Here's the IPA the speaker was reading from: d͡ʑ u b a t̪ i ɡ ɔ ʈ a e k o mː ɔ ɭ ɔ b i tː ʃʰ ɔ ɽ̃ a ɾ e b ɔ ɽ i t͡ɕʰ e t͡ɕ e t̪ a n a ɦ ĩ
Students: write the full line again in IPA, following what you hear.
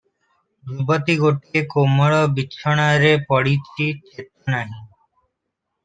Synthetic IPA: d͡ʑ u b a t̪ i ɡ o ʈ i e k o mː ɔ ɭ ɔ b i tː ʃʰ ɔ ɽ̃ a ɾ e p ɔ ɽ i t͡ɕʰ i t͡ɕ e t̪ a n a ɦ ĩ